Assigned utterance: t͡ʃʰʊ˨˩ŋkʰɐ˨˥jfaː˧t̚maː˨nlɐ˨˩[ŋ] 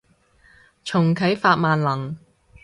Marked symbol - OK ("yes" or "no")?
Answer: yes